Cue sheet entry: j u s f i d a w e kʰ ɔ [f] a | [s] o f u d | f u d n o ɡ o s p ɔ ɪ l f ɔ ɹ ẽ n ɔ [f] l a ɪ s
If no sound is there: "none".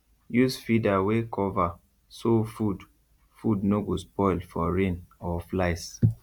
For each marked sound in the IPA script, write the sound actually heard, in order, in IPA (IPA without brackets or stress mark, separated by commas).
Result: v, s, f